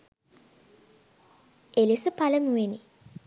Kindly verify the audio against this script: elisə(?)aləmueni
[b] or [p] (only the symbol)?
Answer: p